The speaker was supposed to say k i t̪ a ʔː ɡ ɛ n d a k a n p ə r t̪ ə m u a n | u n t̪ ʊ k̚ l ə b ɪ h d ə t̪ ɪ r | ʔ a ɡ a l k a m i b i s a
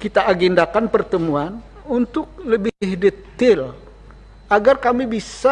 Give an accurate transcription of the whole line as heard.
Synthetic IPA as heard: k i t̪ a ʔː ɡ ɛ n d a k a n p ə r t̪ ə m u a n | u n t̪ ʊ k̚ l ə b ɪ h d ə t̪ ɪ l | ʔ a ɡ a r k a m i b i s a